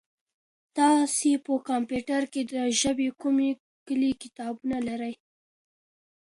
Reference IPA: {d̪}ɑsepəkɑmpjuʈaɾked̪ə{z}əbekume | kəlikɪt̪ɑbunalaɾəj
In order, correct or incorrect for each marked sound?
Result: incorrect: t̪, incorrect: ʒ

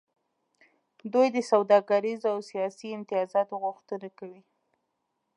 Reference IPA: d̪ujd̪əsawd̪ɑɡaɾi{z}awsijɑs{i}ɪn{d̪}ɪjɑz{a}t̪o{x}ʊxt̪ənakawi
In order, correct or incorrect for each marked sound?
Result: correct, correct, incorrect: t̪, incorrect: ɑ, incorrect: ɣ

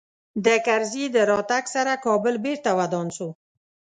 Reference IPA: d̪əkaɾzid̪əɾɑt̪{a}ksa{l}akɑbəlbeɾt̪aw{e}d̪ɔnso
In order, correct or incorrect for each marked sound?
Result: correct, incorrect: ɾ, incorrect: a

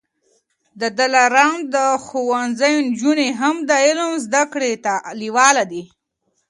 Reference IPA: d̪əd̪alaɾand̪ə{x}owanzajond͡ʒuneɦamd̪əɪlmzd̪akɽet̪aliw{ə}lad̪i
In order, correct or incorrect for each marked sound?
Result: correct, incorrect: ɑ

